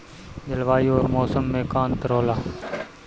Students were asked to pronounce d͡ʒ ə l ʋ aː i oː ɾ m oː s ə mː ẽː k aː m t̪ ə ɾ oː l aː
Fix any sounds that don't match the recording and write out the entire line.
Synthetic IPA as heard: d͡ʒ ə l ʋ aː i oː ɾ m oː s ə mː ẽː k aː n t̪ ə ɾ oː l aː